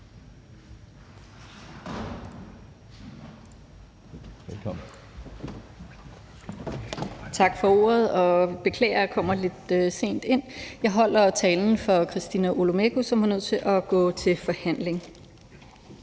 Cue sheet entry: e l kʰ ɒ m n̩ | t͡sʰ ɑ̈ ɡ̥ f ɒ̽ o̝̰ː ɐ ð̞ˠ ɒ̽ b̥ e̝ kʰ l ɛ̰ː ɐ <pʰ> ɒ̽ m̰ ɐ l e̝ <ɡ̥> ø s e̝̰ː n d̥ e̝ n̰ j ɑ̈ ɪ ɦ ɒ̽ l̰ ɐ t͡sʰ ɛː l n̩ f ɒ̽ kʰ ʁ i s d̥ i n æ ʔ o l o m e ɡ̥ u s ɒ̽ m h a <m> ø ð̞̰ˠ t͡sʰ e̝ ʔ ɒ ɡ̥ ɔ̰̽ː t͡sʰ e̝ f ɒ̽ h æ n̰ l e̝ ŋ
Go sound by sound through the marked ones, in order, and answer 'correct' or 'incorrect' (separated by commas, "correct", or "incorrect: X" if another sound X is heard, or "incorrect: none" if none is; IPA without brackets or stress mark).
incorrect: kʰ, incorrect: d̥, incorrect: n